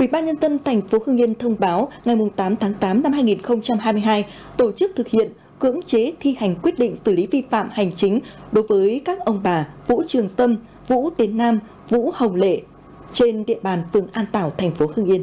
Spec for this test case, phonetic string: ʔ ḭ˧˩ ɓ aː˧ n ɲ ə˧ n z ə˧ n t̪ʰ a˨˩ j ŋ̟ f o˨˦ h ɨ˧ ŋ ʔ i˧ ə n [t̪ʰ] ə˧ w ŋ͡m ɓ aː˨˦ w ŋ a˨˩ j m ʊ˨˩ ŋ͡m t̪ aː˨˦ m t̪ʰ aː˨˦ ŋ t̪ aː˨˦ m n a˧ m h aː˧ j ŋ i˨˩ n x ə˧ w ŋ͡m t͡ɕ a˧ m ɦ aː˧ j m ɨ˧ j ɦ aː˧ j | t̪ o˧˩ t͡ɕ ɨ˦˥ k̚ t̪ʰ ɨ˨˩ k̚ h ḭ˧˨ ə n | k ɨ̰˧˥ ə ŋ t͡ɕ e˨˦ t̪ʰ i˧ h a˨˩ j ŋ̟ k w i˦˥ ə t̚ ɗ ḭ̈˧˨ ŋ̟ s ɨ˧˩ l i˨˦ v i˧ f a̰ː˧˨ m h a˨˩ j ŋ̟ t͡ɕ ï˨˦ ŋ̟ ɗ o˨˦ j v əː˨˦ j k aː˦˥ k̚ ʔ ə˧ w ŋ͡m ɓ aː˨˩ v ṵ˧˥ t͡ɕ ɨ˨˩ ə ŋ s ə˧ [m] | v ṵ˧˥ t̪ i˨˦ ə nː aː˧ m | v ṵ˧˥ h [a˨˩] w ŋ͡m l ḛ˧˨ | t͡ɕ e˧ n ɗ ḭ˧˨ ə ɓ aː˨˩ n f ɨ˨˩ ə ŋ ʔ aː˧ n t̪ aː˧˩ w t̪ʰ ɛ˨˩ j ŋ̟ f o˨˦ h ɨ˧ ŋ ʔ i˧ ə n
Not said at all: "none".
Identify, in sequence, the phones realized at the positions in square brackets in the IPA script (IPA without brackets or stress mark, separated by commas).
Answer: t̪ʰ, m, ə˨˩